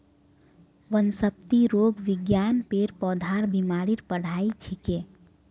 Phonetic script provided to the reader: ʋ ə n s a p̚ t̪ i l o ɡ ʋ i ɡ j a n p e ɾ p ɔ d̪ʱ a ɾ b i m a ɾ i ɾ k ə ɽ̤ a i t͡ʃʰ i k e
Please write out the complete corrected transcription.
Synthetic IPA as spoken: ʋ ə n s ə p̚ t̪ i ɾ o ɡ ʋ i ɡ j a n p e ɾ p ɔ d̪ʱ a ɾ b i m a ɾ i ɾ p ə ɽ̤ a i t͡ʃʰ i k e